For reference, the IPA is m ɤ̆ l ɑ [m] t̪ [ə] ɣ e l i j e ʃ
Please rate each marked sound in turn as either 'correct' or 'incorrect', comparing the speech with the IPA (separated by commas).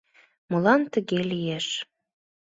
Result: incorrect, correct